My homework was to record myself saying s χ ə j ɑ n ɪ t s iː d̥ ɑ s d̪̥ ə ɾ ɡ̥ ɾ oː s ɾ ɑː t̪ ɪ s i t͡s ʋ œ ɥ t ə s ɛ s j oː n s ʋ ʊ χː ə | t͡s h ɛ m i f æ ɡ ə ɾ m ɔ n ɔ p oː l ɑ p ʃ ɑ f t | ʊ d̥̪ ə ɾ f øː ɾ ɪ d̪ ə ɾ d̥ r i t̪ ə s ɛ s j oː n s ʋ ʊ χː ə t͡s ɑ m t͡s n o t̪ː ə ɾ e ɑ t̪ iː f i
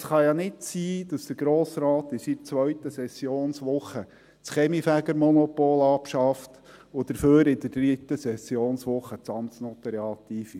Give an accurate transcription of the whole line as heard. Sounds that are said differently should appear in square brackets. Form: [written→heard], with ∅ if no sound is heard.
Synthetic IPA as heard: s χ [ə→ɑ] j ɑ n ɪ t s iː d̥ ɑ s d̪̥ ə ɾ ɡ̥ ɾ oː s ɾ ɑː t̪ ɪ s i t͡s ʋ œ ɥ t ə s ɛ s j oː n s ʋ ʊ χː ə | t͡s [h→χ] ɛ m i f æ ɡ ə ɾ m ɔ n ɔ p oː l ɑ p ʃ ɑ f t | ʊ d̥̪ ə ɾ f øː ɾ ɪ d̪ ə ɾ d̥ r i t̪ ə s ɛ s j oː n s ʋ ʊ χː ə t͡s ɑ m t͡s n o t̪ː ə ɾ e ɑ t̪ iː f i